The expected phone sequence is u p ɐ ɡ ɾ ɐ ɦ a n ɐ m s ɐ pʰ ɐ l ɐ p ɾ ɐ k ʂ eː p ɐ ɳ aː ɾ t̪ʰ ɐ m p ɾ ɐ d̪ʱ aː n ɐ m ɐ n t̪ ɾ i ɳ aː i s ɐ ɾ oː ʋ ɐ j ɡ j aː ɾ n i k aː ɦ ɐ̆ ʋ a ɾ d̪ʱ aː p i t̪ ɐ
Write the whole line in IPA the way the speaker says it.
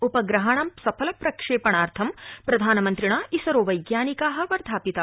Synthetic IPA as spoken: u p ɐ ɡ ɾ ɐ ɦ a ɳ ɐ m s ɐ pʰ ɐ l ɐ p ɾ ɐ k ʂ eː p ɐ ɳ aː ɾ t̪ʰ ɐ m p ɾ ɐ d̪ʱ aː n ɐ m ɐ n t̪ ɾ i ɳ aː i s ɐ ɾ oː ʋ ɐ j ɡ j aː n i k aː ɦ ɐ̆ ʋ ɐ ɾ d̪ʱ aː p i t̪ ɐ